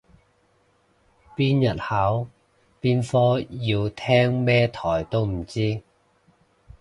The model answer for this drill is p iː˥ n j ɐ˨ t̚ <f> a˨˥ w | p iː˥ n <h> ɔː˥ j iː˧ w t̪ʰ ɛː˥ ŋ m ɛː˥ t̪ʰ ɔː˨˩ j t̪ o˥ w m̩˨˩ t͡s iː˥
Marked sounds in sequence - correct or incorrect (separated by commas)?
incorrect, incorrect